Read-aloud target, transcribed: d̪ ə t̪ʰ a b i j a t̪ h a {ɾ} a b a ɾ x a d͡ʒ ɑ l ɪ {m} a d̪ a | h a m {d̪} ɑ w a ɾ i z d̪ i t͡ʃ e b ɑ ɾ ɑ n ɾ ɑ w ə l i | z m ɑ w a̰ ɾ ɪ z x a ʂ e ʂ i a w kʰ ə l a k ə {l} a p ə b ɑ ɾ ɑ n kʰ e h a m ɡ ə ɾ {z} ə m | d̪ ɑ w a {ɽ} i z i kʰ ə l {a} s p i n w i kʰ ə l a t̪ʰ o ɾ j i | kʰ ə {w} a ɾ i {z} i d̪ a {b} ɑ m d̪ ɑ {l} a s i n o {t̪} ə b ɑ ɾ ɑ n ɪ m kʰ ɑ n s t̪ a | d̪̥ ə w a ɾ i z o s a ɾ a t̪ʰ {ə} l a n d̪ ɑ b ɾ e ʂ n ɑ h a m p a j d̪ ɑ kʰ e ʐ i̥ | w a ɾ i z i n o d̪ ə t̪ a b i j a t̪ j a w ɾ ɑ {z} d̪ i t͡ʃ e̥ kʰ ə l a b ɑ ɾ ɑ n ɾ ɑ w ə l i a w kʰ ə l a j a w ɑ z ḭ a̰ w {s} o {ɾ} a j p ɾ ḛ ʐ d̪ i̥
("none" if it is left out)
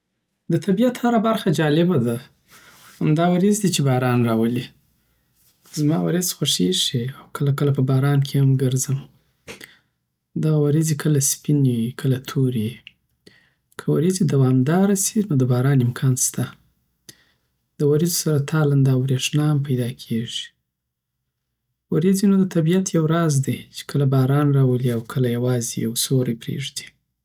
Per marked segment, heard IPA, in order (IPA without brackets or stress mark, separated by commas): ɾ, b, d̪, l, z, ɾ, a, w, z, w, ɾ, d̪, ɑ, z, s, ɾ